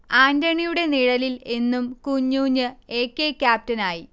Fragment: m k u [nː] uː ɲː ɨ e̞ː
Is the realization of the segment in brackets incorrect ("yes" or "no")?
yes